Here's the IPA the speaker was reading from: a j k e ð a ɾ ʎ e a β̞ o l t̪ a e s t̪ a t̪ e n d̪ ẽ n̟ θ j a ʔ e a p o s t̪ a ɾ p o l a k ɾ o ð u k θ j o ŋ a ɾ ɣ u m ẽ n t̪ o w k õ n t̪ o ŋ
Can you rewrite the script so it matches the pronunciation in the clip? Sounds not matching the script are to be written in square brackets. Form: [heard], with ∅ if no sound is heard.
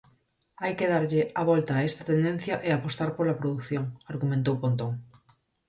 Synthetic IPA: a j k e ð a ɾ ʎ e a β̞ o l t̪ a e s t̪ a t̪ e n d̪ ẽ n̟ θ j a ʔ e a p o s t̪ a ɾ p o l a [p] ɾ o ð u k θ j o ŋ a ɾ ɣ u m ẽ n t̪ o w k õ n t̪ o ŋ